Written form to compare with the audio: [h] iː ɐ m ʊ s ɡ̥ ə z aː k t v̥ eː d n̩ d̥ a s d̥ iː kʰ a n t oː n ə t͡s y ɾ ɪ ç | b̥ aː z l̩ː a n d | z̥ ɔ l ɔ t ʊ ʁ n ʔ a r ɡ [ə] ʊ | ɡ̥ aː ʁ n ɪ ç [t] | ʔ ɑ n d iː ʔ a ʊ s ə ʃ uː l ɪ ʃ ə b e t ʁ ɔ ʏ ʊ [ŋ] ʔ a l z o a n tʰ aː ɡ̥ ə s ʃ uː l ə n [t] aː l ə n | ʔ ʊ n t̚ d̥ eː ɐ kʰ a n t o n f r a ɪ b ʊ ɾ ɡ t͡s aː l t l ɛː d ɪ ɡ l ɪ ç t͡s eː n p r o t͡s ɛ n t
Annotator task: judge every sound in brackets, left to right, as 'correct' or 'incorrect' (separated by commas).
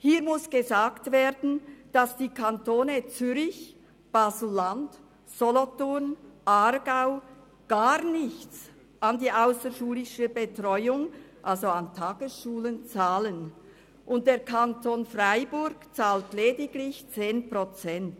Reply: correct, incorrect, incorrect, correct, incorrect